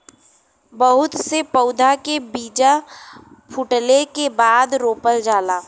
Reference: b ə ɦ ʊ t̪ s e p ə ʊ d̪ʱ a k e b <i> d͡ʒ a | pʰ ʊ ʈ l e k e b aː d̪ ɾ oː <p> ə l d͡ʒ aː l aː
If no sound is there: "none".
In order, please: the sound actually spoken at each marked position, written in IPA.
iː, p

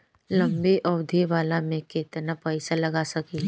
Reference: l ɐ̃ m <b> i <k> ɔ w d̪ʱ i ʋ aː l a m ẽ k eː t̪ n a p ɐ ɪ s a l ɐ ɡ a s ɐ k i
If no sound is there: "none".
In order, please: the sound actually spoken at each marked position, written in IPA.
b, ʔ

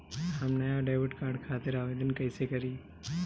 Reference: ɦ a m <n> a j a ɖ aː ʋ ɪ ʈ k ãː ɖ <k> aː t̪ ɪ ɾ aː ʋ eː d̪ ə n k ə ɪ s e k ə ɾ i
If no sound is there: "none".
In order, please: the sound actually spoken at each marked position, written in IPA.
n, kʰ

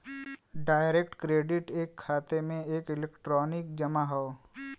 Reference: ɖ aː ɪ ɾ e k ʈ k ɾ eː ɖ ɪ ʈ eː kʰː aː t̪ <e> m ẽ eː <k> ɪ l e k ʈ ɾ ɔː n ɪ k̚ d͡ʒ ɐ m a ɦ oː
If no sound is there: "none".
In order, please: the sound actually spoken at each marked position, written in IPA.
e, k

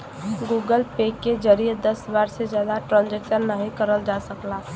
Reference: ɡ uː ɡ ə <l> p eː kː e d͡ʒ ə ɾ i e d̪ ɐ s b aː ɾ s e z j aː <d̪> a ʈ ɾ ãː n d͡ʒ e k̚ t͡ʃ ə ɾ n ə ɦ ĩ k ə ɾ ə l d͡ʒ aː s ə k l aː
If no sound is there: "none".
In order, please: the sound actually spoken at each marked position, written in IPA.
l, d̪

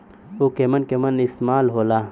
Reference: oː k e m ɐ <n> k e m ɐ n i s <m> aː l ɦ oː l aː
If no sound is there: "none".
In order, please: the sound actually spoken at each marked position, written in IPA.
n, m

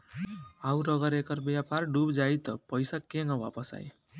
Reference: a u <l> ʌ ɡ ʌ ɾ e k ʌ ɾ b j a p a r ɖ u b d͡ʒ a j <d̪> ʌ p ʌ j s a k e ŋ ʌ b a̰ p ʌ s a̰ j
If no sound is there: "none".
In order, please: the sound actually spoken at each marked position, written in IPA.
ɾ, t̪

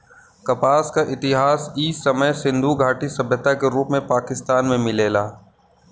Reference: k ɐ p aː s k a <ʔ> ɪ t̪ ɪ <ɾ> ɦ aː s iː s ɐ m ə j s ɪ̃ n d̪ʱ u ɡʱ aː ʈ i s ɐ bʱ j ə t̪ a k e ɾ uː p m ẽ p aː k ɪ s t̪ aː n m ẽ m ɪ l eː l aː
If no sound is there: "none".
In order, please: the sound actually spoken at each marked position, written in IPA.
ʔ, none

